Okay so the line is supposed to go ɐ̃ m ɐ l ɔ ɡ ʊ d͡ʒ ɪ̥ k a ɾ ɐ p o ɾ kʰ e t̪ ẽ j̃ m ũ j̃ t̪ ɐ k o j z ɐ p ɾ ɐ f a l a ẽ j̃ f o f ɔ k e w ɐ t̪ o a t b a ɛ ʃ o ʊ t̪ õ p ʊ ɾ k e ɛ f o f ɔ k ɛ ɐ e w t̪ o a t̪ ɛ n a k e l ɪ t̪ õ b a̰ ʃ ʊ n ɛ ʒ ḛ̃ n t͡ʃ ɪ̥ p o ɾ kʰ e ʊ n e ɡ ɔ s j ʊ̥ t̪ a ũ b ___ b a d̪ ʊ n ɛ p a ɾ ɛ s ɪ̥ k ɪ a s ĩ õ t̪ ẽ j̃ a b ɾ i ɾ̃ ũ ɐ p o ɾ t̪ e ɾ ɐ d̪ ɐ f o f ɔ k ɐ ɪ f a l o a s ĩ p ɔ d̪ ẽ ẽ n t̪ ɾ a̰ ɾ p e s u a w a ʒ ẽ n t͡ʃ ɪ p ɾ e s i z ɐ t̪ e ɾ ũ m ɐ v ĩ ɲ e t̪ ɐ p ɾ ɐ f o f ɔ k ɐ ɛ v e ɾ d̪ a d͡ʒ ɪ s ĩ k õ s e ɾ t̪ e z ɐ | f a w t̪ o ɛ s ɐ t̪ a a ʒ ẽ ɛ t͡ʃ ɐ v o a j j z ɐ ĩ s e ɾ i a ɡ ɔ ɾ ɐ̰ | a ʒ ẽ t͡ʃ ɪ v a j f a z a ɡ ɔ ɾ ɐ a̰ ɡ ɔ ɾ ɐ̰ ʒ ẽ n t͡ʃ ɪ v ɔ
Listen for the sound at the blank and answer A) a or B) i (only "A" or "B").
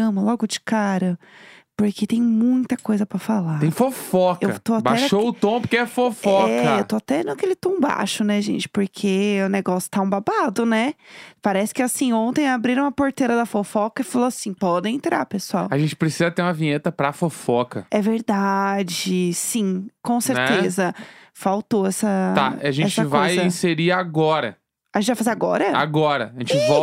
A